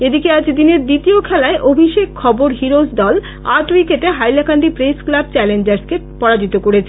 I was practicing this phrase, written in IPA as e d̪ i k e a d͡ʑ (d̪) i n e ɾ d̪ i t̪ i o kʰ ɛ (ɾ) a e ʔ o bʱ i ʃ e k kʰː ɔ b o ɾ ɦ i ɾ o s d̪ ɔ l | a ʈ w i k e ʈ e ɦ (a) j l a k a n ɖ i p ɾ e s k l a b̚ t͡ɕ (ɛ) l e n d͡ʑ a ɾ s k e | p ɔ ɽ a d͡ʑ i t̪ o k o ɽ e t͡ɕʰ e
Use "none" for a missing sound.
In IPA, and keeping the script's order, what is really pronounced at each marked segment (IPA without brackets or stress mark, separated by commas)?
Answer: d̪, l, a, ɛ